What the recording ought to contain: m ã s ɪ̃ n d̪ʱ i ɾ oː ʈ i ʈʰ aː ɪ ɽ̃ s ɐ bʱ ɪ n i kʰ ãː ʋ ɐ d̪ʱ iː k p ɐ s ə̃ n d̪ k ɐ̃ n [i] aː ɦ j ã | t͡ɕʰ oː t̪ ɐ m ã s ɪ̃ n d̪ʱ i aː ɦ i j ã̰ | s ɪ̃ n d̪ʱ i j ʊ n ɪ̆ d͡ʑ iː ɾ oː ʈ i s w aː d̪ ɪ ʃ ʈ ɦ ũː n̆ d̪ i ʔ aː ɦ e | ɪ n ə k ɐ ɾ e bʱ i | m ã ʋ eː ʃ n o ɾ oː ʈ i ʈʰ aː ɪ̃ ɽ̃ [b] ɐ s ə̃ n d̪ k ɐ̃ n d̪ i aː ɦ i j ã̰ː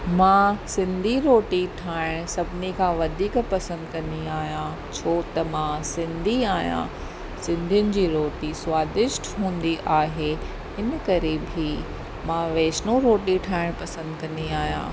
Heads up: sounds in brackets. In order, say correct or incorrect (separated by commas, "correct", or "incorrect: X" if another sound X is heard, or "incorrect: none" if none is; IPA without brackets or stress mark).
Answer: correct, incorrect: p